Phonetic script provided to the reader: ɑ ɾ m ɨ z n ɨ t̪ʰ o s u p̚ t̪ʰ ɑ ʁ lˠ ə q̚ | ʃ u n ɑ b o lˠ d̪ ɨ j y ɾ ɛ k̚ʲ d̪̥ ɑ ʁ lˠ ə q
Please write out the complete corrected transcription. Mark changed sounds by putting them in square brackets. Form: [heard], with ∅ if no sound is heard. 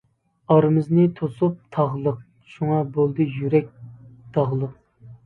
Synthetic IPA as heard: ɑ ɾ m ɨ z n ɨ t̪ʰ o s u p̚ t̪ʰ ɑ ʁ lˠ ə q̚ | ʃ u [ŋ] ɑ b o lˠ d̪ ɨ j y ɾ ɛ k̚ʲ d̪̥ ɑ ʁ lˠ ə q